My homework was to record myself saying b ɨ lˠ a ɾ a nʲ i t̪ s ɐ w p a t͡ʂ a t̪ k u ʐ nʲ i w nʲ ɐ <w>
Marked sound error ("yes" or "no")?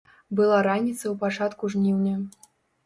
yes